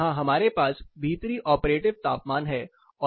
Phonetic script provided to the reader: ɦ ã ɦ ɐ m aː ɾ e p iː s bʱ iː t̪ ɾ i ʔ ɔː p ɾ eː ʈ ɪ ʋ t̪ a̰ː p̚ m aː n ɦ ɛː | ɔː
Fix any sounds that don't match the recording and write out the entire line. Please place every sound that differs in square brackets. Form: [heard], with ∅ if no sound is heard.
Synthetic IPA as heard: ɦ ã ɦ ɐ m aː ɾ e p [aː] s bʱ iː t̪ ɾ i ʔ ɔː p ɾ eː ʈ ɪ ʋ t̪ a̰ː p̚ m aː n ɦ ɛː | ɔː